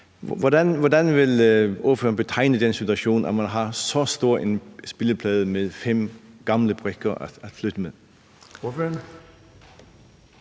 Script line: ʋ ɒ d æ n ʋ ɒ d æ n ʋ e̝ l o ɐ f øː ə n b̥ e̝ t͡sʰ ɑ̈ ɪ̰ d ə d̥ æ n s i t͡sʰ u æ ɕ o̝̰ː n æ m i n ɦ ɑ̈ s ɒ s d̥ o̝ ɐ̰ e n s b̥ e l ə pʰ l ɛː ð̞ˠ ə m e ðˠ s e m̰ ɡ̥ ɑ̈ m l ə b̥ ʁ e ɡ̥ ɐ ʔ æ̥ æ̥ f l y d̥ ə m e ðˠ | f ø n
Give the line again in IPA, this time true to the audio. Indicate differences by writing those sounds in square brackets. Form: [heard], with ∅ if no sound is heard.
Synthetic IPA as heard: ʋ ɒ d æ n ʋ ɒ d æ n ʋ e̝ l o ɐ f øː [ɐ] n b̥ e̝ t͡sʰ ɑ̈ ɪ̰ [n] ə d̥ [e] n s i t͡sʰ u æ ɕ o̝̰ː n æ m [æ] n ɦ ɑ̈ s ɒ s d̥ o̝ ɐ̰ e n s b̥ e l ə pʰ l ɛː ð̞ˠ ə m e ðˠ [f] e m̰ ɡ̥ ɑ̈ m l ə b̥ ʁ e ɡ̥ ɐ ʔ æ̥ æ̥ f l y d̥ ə m e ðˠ | f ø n